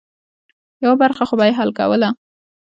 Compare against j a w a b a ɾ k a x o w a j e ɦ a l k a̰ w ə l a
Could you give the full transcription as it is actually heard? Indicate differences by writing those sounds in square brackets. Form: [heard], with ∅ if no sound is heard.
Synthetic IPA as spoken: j a w a b a ɾ [x] a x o [b] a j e ɦ a l k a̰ w ə l a